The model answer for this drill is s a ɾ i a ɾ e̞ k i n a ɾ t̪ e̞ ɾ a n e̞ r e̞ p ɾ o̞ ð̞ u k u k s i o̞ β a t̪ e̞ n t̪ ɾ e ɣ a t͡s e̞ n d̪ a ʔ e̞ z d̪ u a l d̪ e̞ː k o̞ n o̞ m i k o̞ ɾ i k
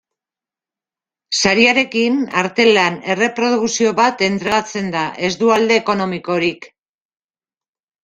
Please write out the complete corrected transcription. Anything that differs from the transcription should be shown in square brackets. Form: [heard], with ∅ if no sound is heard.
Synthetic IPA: s a ɾ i a ɾ e̞ k i n a ɾ t̪ e̞ [l] a n e̞ r e̞ p ɾ o̞ ð̞ u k u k s i o̞ β a t̪ e̞ n t̪ ɾ e ɣ a t͡s e̞ n d̪ a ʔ e̞ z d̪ u a l d̪ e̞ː k o̞ n o̞ m i k o̞ ɾ i k